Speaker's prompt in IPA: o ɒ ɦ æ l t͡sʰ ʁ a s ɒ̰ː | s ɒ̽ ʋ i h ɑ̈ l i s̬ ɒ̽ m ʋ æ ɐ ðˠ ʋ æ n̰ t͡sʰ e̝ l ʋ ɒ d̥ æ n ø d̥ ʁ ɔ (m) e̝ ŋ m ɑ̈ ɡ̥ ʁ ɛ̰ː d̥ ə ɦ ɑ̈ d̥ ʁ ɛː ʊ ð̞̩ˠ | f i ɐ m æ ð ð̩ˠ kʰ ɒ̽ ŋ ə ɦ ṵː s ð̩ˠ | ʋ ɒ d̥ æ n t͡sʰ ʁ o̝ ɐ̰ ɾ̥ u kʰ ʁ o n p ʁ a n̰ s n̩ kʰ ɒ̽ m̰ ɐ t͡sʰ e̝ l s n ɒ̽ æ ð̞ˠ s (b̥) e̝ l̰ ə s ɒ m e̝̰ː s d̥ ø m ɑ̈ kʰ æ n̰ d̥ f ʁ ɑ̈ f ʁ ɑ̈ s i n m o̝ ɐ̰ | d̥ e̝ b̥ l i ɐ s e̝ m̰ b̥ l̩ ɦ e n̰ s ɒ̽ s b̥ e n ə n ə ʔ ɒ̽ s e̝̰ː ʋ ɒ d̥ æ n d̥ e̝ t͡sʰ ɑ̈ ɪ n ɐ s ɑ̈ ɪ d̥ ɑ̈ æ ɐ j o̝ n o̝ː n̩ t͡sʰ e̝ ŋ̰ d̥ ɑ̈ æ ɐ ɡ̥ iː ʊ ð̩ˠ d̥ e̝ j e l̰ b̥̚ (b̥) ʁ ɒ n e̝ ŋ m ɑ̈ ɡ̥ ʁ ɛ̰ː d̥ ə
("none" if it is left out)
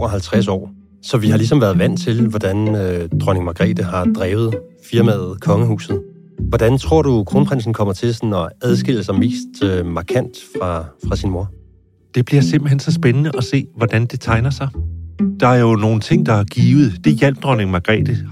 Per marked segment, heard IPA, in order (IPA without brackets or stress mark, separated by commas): n, ɡ̥, d̥